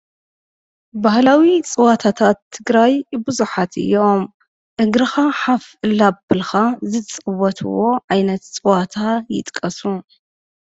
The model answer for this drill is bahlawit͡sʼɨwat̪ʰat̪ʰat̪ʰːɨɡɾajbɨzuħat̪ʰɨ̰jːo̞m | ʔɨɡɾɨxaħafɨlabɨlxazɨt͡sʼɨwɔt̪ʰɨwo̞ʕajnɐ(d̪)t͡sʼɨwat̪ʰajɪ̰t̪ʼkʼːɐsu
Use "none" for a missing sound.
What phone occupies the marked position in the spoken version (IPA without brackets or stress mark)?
t̪